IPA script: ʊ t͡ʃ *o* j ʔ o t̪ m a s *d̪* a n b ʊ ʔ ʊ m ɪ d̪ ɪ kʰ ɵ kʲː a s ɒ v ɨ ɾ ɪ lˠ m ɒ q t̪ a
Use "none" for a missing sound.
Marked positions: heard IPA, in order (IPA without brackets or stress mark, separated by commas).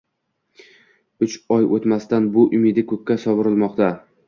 ɒ, t̪